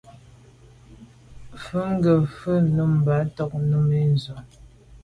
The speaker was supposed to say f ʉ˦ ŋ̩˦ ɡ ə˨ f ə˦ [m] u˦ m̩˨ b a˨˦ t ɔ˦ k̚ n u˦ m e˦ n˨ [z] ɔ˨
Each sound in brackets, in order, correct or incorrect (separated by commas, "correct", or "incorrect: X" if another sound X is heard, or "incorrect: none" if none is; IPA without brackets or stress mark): incorrect: n, correct